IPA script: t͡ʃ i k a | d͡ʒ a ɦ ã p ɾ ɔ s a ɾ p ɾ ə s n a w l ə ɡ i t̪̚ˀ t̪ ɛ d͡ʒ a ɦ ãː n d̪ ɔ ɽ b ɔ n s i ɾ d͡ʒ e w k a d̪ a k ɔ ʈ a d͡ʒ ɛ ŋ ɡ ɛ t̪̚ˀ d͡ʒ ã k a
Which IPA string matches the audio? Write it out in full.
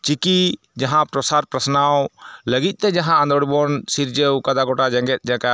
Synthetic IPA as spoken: t͡ʃ i k i | d͡ʒ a ɦ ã p ɾ ɔ s a ɾ p ɾ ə s n a w l ə ɡ i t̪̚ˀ t̪ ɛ d͡ʒ a ɦ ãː n d̪ ɔ ɽ b ɔ n s i ɾ d͡ʒ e w k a d̪ a ɡ ɔ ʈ a d͡ʒ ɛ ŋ ɡ ɛ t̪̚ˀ d͡ʒ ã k a